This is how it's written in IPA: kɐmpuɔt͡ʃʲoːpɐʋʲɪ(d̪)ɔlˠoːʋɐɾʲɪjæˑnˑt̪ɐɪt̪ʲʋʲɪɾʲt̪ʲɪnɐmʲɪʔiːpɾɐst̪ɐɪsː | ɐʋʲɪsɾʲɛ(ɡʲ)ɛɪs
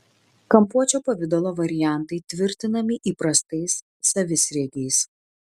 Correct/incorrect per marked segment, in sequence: correct, correct

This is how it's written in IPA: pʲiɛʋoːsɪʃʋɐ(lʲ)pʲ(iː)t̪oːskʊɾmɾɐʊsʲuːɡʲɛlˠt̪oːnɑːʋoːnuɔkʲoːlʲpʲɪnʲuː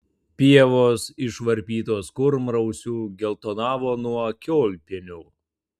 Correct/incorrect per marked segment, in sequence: incorrect: ɾʲ, correct

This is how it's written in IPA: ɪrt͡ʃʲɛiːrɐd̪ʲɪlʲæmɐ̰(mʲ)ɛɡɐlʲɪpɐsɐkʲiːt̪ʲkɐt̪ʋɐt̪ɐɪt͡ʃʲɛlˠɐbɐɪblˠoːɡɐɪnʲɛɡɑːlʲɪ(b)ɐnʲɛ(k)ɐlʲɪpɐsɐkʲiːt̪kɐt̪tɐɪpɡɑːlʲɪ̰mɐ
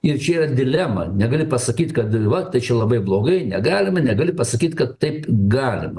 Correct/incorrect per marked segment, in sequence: incorrect: nʲ, incorrect: m, incorrect: ɡ

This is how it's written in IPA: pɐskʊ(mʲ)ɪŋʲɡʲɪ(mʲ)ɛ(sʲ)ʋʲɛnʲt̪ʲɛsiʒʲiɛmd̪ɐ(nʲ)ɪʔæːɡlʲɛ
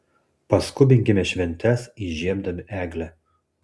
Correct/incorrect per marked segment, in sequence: incorrect: bʲ, correct, incorrect: ʃʲ, incorrect: mʲ

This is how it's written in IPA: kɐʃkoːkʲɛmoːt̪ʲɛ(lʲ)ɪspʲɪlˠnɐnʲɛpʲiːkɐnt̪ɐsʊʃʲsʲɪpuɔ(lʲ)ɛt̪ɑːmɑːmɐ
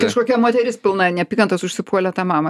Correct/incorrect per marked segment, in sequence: incorrect: ɾʲ, correct

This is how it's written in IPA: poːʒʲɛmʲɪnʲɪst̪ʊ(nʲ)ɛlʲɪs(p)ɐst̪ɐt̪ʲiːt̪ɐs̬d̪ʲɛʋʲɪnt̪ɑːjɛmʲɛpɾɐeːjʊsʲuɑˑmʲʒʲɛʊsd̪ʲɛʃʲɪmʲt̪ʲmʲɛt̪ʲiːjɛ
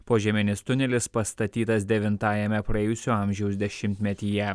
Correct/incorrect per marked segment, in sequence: correct, correct

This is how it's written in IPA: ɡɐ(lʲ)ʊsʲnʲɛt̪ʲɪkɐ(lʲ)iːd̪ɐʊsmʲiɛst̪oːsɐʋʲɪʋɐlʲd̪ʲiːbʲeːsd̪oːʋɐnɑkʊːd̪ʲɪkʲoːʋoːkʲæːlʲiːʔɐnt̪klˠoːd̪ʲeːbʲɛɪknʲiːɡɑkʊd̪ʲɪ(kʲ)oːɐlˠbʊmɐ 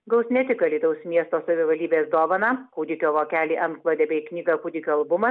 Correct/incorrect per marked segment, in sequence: incorrect: none, correct, correct

